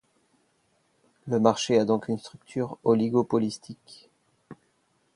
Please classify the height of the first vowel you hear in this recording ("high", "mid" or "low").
mid